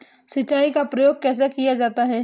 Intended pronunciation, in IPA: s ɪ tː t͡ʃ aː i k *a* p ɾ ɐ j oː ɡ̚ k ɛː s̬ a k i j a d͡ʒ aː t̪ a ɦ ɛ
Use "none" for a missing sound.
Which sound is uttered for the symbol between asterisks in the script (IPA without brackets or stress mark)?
a